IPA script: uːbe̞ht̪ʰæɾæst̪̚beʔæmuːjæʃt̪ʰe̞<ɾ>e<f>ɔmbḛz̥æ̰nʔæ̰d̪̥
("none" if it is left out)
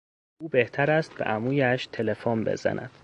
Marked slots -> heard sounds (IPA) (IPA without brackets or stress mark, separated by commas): l, f